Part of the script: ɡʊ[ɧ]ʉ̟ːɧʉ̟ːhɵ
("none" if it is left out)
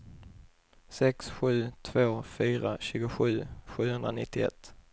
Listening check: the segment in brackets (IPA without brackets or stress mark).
ɧ